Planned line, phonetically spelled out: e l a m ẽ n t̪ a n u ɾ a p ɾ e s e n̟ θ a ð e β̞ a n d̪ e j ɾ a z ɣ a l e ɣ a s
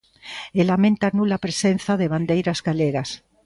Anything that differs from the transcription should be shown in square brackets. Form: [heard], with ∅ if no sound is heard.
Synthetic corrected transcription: e l a m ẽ n t̪ a n u [l] a p ɾ e s e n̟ θ a ð e β̞ a n d̪ e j ɾ a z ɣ a l e ɣ a s